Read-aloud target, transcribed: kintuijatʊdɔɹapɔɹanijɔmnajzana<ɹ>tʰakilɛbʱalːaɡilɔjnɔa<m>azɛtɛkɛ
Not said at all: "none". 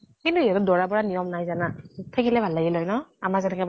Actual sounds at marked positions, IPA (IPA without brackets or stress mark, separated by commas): none, m